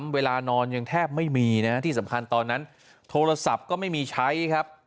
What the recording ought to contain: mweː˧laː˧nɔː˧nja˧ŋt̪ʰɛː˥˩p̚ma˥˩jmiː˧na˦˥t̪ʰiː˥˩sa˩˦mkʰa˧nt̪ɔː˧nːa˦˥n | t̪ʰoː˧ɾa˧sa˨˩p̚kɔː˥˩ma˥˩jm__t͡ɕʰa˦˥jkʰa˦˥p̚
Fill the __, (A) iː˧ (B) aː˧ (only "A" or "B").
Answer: A